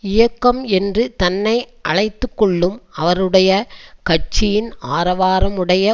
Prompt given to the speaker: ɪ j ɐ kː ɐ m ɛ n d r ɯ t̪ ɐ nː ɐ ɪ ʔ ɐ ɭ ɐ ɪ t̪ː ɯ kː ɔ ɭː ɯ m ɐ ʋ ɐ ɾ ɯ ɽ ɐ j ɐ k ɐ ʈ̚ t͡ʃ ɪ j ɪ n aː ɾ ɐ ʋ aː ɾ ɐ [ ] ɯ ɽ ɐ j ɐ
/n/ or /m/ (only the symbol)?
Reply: m